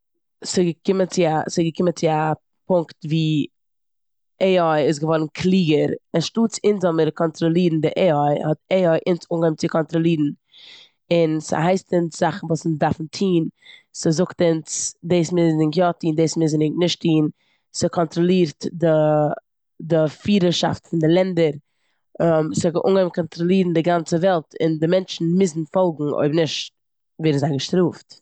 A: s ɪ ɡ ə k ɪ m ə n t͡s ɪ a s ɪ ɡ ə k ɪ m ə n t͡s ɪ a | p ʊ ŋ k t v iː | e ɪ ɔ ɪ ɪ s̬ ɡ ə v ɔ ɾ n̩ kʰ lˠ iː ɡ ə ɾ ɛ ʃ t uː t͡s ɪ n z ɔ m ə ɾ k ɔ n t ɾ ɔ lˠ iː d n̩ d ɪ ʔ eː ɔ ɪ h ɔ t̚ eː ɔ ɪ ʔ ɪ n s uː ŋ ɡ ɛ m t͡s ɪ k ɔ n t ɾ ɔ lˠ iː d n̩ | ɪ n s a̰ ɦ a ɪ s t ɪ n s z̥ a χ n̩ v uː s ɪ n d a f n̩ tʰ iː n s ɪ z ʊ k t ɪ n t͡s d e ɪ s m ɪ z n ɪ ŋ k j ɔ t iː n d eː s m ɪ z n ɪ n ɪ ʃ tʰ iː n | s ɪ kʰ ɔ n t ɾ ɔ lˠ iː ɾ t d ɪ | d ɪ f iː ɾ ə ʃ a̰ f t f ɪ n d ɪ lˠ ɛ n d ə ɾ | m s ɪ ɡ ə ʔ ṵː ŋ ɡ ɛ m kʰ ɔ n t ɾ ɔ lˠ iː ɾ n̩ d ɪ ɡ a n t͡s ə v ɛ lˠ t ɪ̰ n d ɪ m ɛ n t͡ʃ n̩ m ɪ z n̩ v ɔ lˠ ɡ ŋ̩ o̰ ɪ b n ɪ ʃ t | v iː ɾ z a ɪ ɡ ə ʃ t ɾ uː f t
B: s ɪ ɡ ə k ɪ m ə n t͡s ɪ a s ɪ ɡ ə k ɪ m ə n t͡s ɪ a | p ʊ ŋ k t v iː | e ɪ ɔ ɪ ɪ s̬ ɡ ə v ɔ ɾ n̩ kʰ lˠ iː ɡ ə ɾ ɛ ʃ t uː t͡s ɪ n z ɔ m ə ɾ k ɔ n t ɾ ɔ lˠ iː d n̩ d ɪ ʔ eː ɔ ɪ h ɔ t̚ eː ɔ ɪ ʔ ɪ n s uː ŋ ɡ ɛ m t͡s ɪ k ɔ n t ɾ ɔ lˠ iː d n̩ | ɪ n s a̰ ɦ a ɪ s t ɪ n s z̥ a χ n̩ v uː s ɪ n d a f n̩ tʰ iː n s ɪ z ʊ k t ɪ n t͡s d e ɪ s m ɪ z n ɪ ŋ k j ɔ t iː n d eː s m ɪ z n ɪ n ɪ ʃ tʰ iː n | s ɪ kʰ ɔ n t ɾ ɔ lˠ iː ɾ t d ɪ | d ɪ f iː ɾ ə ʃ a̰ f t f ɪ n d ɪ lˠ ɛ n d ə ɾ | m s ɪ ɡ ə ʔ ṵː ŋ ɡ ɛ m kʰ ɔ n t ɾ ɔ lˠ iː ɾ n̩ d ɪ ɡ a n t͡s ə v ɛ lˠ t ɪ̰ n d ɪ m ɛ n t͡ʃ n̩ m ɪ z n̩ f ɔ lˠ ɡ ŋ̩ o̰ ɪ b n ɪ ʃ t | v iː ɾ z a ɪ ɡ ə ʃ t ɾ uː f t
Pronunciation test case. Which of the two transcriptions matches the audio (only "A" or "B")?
B